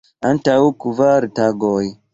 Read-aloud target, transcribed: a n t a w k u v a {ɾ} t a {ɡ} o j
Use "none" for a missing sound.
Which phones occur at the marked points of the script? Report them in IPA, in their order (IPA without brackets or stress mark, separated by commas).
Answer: ɾ, ɡ